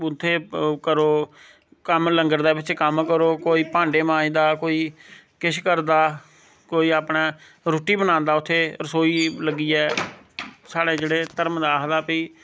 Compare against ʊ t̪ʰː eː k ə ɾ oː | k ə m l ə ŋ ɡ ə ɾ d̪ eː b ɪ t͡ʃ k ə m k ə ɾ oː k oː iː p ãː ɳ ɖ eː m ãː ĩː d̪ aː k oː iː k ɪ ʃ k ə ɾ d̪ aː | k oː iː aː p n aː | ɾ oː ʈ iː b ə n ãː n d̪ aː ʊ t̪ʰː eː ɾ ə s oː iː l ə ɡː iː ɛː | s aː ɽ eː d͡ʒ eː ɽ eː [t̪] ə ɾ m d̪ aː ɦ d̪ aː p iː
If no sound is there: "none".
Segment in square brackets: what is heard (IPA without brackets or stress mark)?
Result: t̪